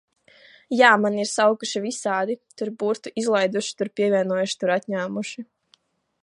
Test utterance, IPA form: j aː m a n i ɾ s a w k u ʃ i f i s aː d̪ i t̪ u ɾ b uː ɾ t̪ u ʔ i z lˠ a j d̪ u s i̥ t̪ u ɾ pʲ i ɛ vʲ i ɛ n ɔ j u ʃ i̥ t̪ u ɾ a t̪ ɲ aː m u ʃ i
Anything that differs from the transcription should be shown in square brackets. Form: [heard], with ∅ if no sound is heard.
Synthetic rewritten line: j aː m a n i ɾ s a w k u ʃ i [v] i s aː d̪ i t̪ u ɾ b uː ɾ t̪ u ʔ i z lˠ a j d̪ u [ʃ] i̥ t̪ u ɾ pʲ i ɛ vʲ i ɛ n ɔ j u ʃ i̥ t̪ u ɾ a t̪ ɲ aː m u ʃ i